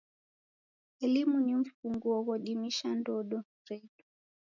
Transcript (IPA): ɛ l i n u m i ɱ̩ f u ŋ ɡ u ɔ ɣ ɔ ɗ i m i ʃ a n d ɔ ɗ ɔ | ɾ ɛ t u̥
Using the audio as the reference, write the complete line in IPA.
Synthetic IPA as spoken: ɛ l i m u n i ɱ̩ f u ŋ ɡ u ɔ ɣ ɔ ɗ i m i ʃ a n d ɔ ɗ ɔ | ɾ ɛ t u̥